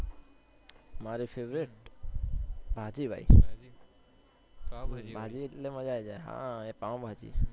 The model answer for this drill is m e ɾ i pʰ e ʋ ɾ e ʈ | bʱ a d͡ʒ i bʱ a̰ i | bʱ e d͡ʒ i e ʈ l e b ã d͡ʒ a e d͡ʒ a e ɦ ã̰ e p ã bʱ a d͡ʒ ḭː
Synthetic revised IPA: m a ɾ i pʰ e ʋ ɾ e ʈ | bʱ a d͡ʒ i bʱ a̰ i | bʱ a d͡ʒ i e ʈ l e m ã d͡ʒ a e d͡ʒ a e ɦ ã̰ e p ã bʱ a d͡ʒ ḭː